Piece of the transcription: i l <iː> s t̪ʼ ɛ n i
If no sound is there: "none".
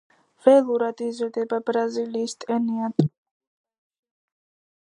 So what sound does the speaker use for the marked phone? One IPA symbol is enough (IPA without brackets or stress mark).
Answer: iː